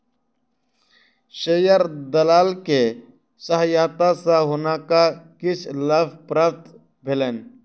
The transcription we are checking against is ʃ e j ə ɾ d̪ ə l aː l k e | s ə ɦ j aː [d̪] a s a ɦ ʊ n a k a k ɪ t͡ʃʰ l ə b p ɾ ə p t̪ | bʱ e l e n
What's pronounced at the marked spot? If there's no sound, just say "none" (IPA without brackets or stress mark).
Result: t̪